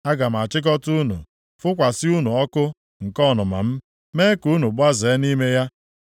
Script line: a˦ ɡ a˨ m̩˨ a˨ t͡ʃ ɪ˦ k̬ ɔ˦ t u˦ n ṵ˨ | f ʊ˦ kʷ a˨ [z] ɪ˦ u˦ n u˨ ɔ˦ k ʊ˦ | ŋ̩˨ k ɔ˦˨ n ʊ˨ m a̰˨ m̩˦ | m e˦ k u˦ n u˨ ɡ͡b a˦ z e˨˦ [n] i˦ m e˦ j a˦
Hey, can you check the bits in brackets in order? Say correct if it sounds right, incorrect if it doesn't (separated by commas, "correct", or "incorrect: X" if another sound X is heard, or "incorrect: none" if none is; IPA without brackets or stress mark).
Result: incorrect: s, correct